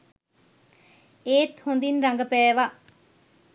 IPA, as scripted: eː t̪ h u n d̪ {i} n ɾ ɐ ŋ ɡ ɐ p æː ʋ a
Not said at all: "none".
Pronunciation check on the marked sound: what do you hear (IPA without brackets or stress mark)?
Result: i